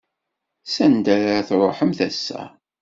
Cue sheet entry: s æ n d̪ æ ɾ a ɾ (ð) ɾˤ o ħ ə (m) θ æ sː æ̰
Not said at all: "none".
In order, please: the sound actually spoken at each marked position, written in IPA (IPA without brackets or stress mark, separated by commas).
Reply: θ, m